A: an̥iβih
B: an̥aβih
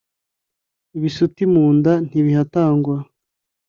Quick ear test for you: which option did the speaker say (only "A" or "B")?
A